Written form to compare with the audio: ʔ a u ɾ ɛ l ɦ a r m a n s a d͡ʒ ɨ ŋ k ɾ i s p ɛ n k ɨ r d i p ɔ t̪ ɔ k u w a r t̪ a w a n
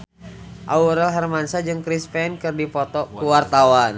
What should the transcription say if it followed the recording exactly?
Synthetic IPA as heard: ʔ a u ɾ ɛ l ɦ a r m a n s a d͡ʒ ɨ ŋ k ɾ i s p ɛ n k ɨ r d i p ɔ t̪ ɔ k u w a r t̪ a w a n